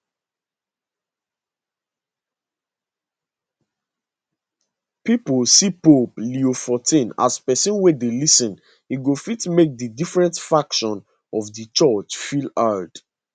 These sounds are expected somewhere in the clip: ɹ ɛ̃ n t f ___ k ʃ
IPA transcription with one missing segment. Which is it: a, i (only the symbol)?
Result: a